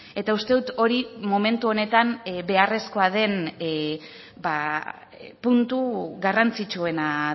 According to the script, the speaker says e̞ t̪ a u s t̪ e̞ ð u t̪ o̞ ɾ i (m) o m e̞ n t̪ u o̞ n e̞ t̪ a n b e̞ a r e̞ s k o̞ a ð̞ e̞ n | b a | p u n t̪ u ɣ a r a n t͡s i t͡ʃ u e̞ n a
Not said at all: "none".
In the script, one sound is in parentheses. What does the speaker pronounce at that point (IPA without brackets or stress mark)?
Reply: m